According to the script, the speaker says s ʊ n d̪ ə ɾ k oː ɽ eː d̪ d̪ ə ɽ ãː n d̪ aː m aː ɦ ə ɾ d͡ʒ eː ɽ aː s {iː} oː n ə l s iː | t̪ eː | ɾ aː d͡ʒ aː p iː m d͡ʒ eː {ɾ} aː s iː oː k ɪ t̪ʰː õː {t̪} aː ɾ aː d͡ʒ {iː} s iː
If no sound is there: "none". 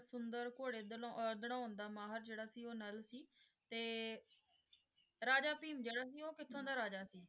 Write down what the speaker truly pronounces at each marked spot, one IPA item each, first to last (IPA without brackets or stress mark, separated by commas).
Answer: iː, ɽ, d̪, aː